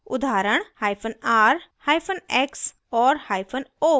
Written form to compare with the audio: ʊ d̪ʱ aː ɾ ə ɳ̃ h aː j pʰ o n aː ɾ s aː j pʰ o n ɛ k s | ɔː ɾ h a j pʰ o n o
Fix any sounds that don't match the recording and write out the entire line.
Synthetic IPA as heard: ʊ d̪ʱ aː ɾ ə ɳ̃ h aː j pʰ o n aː ɾ h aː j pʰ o n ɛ k s | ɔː ɾ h a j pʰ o n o